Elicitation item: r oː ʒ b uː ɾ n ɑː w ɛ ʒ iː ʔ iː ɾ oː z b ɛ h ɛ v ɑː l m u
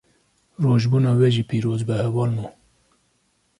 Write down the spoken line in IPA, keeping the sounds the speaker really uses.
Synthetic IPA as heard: r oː ʒ b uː n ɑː w ɛ ʒ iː p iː ɾ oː z b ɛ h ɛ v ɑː l m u